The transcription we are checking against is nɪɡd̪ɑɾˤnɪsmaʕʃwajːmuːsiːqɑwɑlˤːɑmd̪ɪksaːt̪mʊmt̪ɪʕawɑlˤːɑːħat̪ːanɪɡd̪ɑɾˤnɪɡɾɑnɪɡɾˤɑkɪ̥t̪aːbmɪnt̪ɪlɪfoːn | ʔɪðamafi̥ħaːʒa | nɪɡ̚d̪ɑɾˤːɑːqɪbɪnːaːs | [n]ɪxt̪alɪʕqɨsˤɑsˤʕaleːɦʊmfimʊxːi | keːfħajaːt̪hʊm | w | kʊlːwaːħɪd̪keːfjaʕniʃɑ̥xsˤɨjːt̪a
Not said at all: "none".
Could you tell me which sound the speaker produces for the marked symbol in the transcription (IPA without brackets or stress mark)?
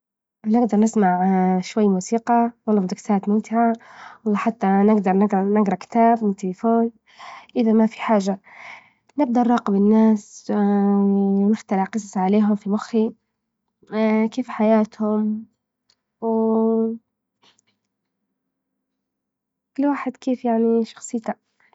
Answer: n